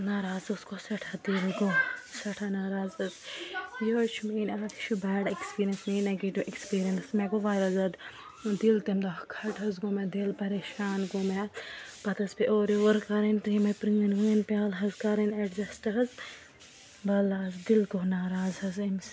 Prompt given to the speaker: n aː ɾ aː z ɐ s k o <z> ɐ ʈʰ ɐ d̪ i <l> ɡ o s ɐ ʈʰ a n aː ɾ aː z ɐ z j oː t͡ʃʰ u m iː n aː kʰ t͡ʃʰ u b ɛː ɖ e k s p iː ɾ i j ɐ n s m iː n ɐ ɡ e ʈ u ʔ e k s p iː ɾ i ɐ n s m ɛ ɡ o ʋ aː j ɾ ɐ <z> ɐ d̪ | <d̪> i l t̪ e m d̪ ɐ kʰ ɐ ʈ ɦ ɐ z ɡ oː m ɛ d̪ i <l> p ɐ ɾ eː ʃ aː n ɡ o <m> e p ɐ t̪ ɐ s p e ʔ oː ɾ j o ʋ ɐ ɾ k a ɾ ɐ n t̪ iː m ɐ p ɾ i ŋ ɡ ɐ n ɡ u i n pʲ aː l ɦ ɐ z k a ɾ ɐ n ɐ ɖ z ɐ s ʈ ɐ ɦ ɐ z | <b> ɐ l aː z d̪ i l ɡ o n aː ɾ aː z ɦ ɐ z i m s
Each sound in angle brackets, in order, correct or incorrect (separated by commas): incorrect, correct, correct, correct, correct, correct, correct